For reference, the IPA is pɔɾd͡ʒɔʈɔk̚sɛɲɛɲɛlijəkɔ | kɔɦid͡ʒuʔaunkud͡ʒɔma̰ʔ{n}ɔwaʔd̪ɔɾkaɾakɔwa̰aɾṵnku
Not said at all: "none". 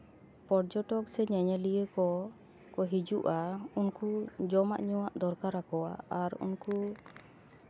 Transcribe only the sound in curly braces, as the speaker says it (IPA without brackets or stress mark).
ɲ